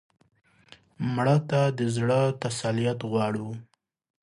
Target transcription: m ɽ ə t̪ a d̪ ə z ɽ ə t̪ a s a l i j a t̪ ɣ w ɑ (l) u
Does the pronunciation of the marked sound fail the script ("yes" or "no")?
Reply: yes